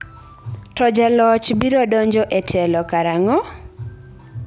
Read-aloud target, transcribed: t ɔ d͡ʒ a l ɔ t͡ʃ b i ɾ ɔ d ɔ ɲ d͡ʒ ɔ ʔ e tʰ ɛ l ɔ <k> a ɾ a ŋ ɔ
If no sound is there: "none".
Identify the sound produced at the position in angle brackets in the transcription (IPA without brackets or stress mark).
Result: k